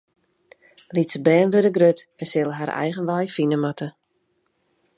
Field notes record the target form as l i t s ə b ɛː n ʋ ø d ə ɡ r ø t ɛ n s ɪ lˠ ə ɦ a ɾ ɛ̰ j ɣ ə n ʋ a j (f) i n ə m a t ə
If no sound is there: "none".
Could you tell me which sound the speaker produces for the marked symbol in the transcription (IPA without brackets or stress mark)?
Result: f